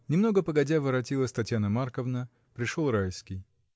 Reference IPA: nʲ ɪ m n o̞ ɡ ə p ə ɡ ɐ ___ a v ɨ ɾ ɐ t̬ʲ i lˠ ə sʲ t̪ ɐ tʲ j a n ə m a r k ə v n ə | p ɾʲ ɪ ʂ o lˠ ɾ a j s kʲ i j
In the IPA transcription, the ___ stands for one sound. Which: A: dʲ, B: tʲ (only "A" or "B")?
A